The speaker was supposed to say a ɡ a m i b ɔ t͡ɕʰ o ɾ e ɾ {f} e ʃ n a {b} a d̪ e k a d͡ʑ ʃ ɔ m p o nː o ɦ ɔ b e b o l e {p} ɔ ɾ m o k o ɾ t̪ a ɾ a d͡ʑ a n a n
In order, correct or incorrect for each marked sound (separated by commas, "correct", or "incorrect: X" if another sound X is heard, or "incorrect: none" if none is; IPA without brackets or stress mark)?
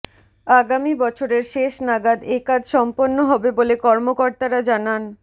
incorrect: ʃ, incorrect: ɡ, incorrect: k